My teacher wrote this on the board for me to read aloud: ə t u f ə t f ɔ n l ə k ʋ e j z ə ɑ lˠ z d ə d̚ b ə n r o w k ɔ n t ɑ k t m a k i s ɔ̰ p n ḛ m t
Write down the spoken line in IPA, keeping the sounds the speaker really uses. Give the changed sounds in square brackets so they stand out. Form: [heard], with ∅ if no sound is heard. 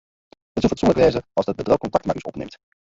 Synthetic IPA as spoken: ə t u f ə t [s] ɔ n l ə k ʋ e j z ə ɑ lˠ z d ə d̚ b ə [d] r o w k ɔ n t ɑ k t m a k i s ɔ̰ p n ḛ m t